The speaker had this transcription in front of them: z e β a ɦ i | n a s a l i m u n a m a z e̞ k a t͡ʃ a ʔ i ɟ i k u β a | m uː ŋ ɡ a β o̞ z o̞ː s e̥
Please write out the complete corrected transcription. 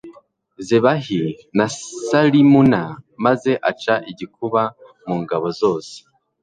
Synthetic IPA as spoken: z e β a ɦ i | n a s a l i m u n a m a z e̞ ʔ a t͡ʃ a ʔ i ɟ i k u β a | m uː ŋ ɡ a β o̞ z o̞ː s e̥